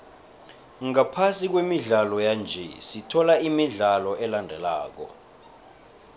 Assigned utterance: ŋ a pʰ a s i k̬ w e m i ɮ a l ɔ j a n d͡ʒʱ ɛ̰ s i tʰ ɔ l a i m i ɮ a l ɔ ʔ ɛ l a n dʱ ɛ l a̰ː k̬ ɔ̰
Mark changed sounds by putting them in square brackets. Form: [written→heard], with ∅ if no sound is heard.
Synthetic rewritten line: ŋ a pʰ a s i k̬ w e m i ɮ a l ɔ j a n d͡ʒʱ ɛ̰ s i tʰ ɔ l a i m i ɮ a l ɔ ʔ ɛ l a n dʱ ɛ l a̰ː k̬ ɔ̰